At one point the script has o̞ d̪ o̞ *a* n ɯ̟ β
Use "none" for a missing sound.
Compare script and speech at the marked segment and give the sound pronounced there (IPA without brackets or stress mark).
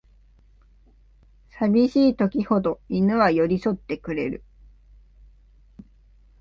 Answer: i